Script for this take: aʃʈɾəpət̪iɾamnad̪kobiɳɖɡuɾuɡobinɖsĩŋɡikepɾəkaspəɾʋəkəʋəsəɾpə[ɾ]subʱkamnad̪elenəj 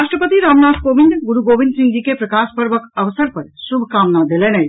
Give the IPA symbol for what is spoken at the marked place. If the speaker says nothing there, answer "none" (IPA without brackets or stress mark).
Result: ɾ